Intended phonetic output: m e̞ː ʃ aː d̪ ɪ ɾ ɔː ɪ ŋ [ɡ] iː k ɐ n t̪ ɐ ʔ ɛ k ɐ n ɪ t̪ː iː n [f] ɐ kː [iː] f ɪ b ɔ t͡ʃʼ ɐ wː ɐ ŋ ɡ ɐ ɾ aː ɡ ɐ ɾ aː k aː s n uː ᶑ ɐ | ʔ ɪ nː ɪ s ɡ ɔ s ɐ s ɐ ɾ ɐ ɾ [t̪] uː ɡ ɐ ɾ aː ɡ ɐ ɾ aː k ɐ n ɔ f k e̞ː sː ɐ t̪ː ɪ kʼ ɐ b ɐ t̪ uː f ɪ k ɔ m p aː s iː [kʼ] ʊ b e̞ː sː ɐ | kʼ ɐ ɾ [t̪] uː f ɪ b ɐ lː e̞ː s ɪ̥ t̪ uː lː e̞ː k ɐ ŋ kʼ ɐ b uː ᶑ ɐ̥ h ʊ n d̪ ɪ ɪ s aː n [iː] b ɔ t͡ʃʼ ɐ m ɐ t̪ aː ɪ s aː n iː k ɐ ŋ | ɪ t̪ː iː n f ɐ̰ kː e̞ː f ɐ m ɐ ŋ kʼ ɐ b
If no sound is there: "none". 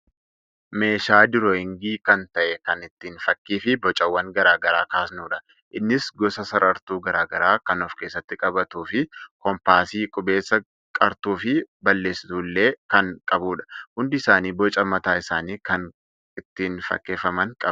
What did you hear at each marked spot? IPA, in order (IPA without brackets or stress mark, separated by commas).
ɡ, f, iː, t̪, kʼ, t̪, iː